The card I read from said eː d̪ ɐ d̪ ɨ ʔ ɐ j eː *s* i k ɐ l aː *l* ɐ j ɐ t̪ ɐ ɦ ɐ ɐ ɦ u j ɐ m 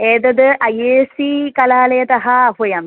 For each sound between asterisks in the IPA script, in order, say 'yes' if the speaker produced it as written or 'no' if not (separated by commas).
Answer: yes, yes